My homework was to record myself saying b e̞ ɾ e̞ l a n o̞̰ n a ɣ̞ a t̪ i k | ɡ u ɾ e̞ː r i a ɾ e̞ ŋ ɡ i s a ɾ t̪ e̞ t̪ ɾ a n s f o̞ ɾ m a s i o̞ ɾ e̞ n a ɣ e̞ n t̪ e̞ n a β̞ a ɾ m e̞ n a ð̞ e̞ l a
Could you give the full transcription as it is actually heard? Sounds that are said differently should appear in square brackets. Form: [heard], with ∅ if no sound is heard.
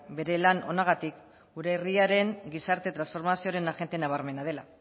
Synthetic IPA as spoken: b e̞ ɾ e̞ l a n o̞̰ n a ɣ̞ a t̪ i k | ɡ u ɾ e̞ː r i a ɾ e̞ ŋ ɡ i s a ɾ t̪ e̞ t̪ ɾ a n s f o̞ ɾ m a s i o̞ ɾ e̞ n a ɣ e̞ n t̪ e̞ n a β̞ a ɾ m e̞ n a ð̞ e̞ l a